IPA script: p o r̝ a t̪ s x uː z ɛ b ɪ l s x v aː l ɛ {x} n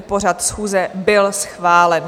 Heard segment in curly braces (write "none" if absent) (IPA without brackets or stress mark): none